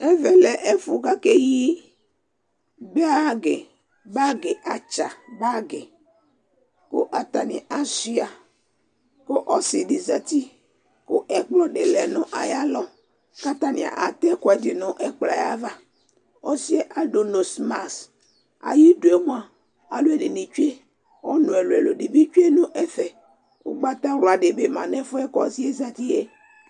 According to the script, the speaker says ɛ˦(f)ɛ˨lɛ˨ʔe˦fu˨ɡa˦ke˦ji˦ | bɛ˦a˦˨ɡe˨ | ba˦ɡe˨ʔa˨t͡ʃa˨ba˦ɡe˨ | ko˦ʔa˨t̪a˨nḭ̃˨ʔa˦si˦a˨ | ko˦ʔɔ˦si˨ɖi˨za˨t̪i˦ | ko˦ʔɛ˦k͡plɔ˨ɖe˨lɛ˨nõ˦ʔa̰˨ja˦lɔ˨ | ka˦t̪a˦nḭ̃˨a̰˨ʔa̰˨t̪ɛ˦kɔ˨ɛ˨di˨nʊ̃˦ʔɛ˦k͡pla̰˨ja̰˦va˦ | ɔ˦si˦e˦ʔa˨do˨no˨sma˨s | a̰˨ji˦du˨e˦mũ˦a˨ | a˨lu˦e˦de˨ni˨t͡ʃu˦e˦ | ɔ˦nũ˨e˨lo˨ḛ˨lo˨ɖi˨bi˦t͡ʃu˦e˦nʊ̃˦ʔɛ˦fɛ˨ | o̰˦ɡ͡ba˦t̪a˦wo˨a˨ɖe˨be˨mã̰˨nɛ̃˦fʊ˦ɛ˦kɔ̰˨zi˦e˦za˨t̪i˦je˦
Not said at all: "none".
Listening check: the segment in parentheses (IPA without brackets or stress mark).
v